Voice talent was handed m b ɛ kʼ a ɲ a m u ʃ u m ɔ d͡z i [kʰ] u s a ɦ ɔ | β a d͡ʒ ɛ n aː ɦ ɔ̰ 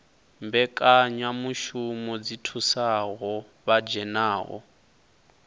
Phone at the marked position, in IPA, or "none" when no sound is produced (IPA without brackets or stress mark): tʰ